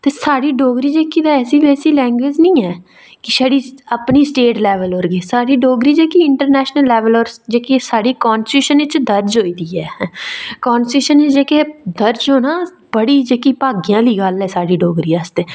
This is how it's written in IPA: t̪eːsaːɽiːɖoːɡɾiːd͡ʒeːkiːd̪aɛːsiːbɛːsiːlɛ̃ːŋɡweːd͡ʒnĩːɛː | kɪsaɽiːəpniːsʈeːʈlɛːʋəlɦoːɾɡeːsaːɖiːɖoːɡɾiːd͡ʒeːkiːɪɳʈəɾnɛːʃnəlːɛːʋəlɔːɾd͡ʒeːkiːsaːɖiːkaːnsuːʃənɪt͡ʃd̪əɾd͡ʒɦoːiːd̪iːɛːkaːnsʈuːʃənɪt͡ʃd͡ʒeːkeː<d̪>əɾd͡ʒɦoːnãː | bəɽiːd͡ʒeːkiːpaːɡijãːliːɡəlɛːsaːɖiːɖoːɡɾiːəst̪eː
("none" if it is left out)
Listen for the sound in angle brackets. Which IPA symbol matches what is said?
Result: d̪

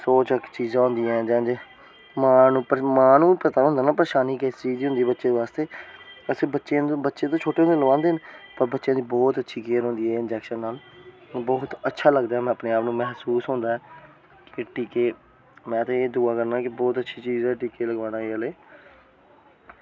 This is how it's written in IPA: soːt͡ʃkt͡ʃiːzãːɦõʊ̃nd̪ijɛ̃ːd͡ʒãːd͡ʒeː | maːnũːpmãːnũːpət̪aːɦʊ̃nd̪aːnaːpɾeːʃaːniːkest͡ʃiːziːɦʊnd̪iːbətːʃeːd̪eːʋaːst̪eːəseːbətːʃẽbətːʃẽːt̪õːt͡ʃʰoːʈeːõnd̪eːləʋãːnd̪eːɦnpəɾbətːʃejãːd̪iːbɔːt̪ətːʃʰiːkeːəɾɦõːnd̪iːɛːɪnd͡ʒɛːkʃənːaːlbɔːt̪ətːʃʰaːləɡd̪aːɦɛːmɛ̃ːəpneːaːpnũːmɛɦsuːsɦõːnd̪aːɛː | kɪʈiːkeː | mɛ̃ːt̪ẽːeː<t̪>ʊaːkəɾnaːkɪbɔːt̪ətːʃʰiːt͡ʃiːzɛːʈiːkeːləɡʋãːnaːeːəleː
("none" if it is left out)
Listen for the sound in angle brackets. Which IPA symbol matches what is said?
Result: d̪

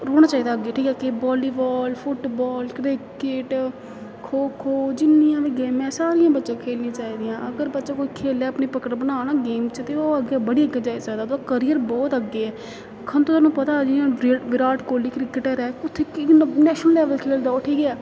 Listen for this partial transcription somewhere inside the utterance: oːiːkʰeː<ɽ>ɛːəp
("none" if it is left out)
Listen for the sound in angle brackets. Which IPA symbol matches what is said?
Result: l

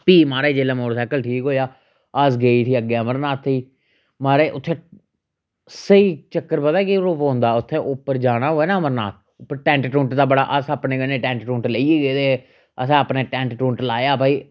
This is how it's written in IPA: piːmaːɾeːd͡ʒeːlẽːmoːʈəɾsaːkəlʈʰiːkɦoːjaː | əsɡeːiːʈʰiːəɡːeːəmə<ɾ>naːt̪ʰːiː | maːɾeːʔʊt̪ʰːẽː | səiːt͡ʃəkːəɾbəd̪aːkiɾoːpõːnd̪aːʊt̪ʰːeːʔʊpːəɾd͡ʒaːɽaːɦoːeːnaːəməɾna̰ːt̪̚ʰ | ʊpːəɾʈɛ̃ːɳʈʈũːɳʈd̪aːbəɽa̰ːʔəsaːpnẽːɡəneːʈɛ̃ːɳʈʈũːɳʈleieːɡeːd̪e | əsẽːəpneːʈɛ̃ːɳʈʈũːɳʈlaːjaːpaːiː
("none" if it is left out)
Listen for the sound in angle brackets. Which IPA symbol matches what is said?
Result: ɾ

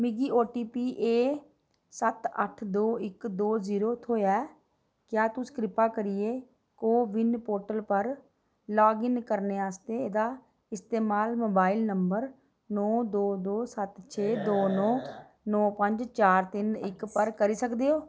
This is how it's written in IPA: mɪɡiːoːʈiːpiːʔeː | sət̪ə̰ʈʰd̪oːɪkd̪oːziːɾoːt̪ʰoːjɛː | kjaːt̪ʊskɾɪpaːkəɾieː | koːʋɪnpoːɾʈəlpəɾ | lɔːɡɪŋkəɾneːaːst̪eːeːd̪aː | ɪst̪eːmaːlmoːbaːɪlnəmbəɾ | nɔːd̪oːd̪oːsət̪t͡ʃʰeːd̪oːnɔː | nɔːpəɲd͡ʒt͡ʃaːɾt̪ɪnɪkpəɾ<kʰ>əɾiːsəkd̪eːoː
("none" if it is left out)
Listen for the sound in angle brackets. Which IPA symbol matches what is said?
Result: k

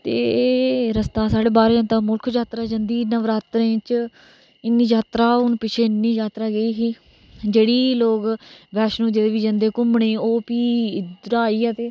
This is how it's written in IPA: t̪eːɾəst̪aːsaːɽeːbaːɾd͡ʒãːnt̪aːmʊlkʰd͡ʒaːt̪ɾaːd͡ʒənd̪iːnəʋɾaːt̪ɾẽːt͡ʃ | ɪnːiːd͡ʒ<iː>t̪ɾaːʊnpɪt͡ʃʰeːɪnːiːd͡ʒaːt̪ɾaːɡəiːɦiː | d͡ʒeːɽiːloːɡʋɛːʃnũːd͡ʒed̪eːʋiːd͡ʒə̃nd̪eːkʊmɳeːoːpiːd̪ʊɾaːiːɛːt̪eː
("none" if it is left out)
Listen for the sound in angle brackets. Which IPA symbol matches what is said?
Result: aː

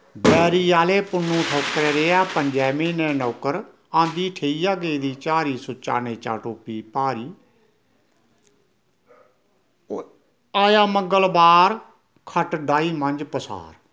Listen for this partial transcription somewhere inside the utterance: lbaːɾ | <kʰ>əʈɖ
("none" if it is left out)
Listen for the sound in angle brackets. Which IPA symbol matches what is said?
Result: kʰ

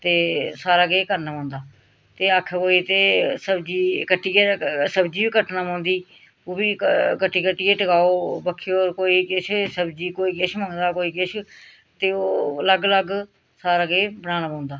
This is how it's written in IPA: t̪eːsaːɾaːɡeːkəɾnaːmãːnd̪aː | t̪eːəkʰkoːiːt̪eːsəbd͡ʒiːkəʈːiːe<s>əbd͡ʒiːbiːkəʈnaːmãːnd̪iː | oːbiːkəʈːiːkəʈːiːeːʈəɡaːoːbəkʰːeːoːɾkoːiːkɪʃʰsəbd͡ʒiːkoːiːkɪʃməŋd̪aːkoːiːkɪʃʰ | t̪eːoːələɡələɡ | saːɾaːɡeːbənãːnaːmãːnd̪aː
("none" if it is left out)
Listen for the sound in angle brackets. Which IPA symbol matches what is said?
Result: s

